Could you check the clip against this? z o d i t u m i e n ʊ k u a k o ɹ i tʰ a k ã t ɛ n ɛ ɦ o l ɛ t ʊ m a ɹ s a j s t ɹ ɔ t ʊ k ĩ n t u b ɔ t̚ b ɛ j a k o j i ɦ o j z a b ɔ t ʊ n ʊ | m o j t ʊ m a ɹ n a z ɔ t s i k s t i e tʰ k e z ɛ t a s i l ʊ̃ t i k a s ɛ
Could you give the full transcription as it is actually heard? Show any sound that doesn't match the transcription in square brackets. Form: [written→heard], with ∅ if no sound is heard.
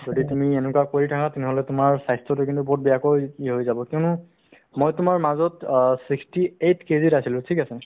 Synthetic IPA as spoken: z o d i t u m i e n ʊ k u a k o ɹ i tʰ a k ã t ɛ n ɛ ɦ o l ɛ t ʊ m a ɹ s a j s t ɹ ɔ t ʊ k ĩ n t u b ɔ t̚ b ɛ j a k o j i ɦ o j z a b ɔ [t→k] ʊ n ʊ | m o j t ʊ m a ɹ [n→m] a z ɔ t s i k s t i e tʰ k e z [ɛ→i] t a s i l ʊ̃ [t→tʰ] i k a s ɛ